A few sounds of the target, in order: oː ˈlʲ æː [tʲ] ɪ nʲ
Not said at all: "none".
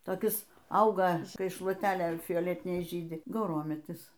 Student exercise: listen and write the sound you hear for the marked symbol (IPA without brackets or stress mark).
tʲ